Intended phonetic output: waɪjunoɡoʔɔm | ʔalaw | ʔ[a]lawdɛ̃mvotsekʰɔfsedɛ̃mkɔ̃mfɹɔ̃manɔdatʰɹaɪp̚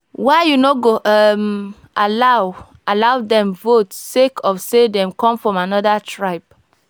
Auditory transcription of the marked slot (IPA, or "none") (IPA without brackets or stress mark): a